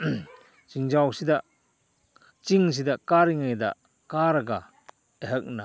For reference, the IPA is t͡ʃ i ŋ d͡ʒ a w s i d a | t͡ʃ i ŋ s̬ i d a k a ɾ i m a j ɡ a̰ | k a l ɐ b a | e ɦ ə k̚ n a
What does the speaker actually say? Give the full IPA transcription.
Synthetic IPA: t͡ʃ i ŋ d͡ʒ a w s i d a | t͡ʃ i ŋ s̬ i d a k a ɾ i ŋ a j d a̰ | k a ɾ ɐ ɡ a | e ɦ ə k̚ n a